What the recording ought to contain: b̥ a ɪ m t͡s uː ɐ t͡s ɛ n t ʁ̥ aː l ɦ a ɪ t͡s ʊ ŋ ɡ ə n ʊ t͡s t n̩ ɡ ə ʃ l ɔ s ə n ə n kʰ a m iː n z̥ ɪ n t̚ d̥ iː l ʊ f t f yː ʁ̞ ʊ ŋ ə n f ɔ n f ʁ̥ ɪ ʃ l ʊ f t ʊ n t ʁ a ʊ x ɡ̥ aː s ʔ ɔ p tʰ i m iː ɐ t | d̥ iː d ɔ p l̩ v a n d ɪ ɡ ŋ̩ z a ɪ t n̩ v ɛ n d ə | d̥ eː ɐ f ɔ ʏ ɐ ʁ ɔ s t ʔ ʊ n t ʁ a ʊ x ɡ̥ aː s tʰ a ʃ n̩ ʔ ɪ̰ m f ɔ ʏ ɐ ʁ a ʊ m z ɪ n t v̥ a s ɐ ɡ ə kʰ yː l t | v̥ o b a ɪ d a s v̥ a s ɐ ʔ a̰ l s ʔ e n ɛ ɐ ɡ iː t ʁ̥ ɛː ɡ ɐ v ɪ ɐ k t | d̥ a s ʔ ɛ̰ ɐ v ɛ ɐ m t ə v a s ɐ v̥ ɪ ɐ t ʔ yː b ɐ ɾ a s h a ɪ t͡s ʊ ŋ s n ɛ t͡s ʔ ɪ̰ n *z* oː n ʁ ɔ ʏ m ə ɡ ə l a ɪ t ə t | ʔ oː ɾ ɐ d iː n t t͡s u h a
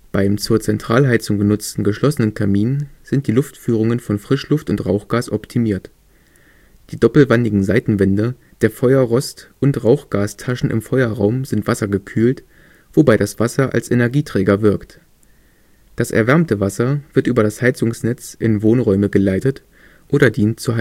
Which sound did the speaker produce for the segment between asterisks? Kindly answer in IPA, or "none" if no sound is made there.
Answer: v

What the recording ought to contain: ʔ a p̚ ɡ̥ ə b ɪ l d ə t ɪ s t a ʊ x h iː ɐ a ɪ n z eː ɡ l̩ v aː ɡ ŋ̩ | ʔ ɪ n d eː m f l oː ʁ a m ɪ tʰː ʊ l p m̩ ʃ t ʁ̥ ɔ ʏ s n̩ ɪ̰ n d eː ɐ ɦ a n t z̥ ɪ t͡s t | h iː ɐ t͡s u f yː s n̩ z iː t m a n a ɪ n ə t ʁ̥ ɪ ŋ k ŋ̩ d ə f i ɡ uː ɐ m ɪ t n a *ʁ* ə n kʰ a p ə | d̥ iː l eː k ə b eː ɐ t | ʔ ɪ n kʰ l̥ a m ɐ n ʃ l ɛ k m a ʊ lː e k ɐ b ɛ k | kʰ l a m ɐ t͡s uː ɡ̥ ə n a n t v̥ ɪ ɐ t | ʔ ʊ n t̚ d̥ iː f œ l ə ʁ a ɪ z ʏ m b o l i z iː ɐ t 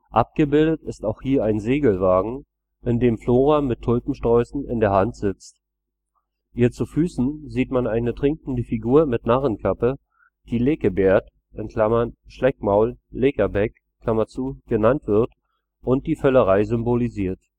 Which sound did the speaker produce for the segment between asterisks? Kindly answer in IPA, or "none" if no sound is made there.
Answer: ʁ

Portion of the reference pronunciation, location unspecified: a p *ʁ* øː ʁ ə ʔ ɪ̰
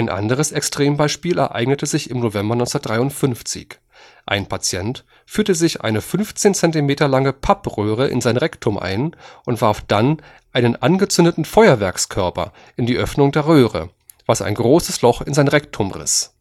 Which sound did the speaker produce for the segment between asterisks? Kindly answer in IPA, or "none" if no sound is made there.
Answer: ʁ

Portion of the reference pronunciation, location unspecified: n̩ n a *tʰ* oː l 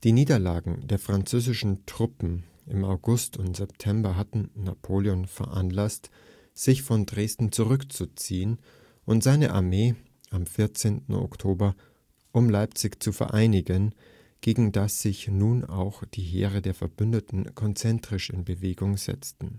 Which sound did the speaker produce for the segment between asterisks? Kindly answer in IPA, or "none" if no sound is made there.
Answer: pʰ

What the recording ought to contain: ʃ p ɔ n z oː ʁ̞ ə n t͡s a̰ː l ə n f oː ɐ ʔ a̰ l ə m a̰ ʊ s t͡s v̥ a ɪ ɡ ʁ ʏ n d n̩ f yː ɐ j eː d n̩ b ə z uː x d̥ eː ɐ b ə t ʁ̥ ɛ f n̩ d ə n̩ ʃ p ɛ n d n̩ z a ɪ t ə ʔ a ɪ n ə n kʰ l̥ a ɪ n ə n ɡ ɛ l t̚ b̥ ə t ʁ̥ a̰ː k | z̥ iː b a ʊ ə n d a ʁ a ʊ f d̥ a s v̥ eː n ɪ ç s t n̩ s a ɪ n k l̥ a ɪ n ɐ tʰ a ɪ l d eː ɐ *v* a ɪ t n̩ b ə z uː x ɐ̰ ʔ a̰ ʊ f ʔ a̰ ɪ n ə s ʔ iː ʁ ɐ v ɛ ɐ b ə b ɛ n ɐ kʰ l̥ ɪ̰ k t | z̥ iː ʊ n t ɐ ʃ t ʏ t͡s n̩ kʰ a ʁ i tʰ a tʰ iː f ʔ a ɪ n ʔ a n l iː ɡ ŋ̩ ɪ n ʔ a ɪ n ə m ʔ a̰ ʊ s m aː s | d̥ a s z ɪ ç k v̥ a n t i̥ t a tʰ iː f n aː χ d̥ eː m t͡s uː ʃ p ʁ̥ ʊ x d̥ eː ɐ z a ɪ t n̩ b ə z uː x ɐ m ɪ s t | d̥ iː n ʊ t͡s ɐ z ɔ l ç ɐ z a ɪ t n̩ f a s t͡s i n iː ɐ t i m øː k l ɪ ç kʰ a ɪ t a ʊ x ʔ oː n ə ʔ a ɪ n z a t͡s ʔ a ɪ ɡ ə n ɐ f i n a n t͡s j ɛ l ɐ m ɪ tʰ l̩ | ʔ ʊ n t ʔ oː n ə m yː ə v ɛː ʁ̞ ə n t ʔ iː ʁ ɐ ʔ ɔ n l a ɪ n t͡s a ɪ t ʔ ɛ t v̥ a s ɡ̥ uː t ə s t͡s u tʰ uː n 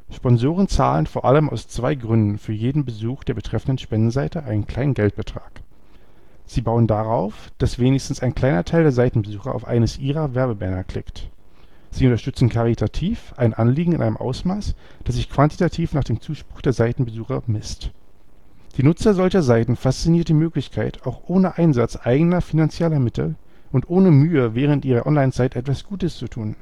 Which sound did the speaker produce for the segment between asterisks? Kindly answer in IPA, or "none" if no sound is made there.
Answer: z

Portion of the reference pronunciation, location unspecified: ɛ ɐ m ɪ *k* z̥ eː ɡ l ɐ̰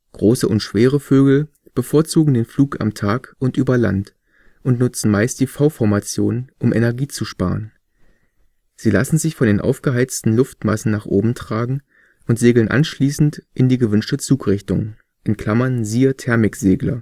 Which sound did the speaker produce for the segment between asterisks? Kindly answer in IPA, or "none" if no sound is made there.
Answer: k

